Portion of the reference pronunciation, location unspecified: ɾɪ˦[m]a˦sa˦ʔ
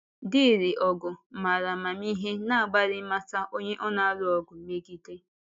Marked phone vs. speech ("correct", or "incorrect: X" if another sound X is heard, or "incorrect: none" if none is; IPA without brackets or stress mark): correct